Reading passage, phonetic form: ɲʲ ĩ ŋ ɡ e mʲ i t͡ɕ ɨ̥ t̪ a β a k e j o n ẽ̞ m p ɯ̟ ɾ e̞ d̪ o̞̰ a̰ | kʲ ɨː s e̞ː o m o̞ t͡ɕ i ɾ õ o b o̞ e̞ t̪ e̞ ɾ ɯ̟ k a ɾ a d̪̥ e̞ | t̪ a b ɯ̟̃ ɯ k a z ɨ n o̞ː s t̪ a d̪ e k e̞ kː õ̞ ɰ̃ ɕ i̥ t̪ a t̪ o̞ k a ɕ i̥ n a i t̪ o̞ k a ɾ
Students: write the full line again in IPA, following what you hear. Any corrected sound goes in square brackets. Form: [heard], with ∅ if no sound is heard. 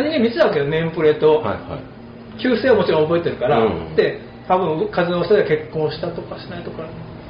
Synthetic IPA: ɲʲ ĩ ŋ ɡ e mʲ i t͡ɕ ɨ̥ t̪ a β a k e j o n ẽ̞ m p ɯ̟ ɾ e̞ [t̪] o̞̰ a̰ | kʲ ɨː s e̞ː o m o̞ t͡ɕ i ɾ õ o b o̞ e̞ t̪ e̞ ɾ ɯ̟ k a ɾ a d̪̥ e̞ | t̪ a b ɯ̟̃ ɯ k a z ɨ n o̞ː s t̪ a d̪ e k e̞ kː õ̞ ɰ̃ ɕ i̥ t̪ a t̪ o̞ k a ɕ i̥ n a i t̪ o̞ k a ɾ